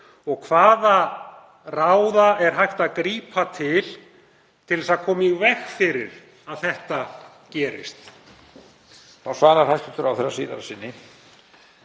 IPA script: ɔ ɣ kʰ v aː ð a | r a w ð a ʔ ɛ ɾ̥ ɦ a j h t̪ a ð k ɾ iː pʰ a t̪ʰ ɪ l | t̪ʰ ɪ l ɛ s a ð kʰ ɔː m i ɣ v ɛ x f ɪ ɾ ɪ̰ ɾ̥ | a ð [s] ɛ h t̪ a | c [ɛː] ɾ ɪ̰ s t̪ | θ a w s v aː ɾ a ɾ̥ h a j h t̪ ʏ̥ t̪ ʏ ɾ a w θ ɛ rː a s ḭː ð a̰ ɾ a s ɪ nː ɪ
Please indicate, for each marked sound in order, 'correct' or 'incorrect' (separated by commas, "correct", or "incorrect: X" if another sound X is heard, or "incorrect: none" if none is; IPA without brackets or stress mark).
incorrect: θ, correct